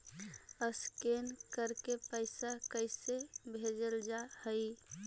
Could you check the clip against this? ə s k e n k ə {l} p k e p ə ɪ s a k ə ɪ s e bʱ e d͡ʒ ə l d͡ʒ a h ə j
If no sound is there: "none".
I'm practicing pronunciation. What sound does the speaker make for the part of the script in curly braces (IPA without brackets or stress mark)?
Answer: ɾ